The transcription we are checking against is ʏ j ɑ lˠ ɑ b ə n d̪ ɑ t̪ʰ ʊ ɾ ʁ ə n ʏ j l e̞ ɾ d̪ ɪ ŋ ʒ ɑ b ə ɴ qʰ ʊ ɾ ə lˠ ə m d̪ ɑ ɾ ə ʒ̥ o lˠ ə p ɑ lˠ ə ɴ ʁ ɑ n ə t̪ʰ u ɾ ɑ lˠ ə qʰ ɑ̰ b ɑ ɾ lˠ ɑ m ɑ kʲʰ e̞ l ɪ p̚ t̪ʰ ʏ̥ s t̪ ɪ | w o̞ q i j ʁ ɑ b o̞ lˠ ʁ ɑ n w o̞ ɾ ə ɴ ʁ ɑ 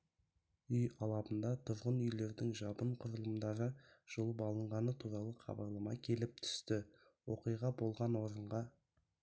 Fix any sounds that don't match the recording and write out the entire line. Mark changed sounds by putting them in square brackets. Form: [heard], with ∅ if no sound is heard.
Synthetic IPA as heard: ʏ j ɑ lˠ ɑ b ə n d̪ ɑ t̪ʰ ʊ ɾ ʁ ə n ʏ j l e̞ ɾ d̪ ɪ ŋ ʒ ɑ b ə ɴ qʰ ʊ ɾ ə lˠ ə m d̪ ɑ ɾ ə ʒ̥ o lˠ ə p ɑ lˠ ə ɴ ʁ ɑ n ə t̪ʰ u ɾ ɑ lˠ ə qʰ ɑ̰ b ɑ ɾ lˠ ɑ m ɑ kʲʰ e̞ l ɪ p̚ t̪ʰ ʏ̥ s t̪ ɪ | w o̞ q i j ʁ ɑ b o̞ lˠ ʁ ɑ n w o̞ ɾ ə ɴ ʁ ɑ